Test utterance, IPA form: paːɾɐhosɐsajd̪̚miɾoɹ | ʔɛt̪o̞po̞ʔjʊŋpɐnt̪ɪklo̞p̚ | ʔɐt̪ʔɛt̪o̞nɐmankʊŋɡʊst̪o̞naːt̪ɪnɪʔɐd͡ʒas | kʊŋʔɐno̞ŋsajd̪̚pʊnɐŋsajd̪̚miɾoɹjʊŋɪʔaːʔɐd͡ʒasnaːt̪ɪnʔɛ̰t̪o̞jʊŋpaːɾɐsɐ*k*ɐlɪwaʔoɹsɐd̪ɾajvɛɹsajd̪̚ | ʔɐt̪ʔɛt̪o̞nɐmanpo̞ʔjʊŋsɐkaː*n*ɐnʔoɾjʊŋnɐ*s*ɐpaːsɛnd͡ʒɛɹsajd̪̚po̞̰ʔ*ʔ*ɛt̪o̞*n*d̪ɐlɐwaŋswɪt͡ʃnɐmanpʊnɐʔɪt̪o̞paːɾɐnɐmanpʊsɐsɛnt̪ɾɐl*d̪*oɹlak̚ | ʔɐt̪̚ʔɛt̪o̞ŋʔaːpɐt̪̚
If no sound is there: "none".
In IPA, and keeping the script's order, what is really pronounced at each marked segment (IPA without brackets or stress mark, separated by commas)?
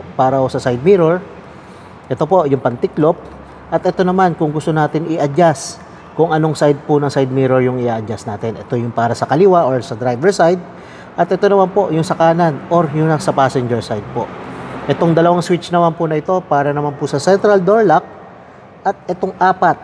k, n, s, ʔ, ŋ, d̪